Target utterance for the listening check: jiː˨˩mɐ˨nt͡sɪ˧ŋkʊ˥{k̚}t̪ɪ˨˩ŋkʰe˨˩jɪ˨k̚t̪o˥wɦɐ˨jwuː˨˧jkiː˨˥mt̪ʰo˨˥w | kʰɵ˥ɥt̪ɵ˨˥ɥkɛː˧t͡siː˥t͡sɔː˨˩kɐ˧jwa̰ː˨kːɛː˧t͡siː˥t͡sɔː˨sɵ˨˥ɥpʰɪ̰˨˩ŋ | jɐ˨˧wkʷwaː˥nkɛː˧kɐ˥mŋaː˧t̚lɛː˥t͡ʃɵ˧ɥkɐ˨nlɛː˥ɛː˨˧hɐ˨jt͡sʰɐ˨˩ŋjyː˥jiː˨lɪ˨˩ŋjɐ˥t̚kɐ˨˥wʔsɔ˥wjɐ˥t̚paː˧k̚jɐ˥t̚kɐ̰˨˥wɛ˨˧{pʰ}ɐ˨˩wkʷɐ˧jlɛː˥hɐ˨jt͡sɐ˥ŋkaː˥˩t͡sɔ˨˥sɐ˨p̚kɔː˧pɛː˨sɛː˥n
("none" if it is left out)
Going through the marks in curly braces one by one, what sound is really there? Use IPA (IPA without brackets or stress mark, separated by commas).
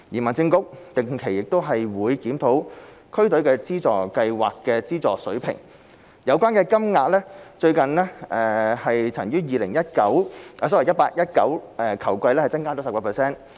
k̚, kʰ